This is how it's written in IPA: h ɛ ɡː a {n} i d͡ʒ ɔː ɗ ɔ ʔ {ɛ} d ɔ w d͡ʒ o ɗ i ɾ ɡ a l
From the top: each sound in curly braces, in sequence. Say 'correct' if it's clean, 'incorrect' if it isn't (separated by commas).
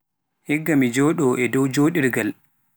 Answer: incorrect, correct